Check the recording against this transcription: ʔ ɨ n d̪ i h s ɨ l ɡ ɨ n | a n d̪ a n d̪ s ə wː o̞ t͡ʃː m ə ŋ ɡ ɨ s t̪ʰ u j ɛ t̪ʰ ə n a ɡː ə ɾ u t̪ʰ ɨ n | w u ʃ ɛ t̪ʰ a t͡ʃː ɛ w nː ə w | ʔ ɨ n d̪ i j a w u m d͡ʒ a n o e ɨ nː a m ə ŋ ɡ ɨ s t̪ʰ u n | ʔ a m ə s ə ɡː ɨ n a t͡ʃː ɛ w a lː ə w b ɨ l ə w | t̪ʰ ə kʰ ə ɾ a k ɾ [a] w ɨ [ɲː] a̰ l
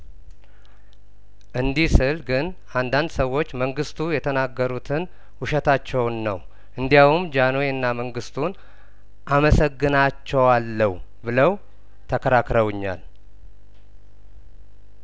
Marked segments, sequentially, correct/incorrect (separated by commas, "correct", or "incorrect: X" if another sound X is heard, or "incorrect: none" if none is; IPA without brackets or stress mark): incorrect: ə, correct